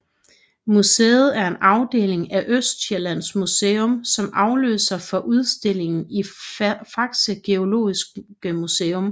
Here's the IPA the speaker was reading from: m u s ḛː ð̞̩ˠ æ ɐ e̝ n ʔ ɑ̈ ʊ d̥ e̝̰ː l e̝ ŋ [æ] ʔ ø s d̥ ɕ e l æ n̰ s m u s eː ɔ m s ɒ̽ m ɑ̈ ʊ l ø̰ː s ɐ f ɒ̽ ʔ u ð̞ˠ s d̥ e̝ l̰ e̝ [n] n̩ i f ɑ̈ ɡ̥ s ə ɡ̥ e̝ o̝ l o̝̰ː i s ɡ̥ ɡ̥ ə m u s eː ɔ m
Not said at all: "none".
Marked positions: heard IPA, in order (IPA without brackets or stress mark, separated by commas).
æ, ŋ